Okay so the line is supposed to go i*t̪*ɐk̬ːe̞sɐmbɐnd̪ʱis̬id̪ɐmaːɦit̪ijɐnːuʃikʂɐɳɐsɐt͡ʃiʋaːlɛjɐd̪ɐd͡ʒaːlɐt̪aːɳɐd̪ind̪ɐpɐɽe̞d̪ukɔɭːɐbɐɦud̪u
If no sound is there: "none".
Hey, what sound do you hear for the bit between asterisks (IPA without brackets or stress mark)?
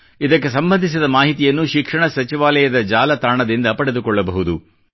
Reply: d̪